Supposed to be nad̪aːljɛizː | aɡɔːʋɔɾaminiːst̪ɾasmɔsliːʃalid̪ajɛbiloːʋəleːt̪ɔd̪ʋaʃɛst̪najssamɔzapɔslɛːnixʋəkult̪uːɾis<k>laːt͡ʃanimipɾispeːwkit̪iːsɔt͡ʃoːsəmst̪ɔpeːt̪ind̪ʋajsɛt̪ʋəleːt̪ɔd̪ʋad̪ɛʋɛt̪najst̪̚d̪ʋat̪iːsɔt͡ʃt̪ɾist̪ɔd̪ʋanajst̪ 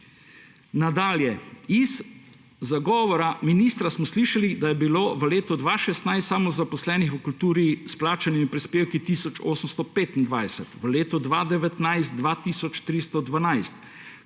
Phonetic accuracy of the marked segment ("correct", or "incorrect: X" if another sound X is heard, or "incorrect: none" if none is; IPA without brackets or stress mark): incorrect: p